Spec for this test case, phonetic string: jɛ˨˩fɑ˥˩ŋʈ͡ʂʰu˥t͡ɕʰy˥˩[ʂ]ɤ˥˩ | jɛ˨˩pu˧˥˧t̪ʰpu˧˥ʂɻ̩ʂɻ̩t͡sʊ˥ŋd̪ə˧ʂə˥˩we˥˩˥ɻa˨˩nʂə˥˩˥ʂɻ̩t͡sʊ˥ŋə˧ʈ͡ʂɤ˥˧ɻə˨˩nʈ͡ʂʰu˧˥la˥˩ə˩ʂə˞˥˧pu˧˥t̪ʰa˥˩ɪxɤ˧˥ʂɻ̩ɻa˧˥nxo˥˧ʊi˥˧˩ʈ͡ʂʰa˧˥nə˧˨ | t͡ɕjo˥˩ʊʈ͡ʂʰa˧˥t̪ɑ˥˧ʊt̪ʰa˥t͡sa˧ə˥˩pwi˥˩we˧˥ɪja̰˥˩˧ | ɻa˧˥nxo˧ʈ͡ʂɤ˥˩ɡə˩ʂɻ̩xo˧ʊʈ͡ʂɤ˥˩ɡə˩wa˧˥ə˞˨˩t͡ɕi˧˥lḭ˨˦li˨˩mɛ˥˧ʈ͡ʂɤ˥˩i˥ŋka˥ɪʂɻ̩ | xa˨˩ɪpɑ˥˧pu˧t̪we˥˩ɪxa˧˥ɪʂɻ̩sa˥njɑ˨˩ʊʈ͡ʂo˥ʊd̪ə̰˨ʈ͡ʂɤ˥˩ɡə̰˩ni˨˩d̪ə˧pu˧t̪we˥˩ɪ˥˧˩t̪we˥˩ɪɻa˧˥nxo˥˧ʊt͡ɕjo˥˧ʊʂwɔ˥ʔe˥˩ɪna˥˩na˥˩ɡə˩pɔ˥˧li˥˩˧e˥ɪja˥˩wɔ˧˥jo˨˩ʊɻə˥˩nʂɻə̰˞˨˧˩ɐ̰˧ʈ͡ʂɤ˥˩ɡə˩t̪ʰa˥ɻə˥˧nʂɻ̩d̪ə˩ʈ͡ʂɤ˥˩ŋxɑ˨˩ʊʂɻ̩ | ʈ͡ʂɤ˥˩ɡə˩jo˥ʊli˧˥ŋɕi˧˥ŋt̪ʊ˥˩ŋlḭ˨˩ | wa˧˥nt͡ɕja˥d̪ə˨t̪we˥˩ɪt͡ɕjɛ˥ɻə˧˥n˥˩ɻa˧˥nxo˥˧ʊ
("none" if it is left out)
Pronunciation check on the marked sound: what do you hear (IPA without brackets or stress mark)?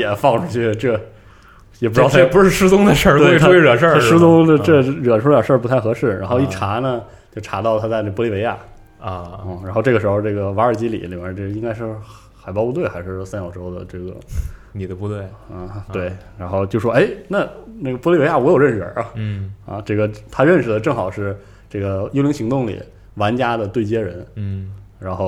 ʈ͡ʂ